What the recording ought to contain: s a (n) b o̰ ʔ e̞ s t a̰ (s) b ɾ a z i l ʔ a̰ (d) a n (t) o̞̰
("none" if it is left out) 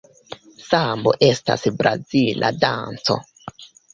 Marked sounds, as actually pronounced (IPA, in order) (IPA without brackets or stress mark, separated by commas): m, s, d, t͡s